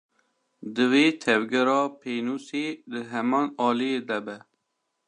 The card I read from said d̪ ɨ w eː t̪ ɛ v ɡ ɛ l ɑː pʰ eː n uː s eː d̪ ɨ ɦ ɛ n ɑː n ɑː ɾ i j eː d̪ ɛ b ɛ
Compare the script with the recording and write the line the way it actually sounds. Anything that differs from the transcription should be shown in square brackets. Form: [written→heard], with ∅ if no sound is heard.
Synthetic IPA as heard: d̪ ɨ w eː [t̪→t̪ʰ] ɛ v ɡ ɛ [l→ɾ] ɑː pʰ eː n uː s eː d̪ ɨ ɦ ɛ [n→m] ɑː n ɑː [ɾ→l] i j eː d̪ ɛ b ɛ